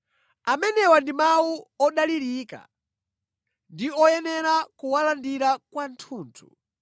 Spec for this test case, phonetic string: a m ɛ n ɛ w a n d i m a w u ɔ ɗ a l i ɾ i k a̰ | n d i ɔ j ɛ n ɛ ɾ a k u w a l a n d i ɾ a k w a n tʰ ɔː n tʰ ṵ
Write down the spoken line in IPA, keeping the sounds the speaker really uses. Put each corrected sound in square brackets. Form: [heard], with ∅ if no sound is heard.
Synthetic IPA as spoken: a m ɛ n ɛ w a n d i m a w u ɔ ɗ a l i ɾ i k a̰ | n d i ɔ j ɛ n ɛ ɾ a k u w a l a n d i ɾ a k w a n tʰ [uː] n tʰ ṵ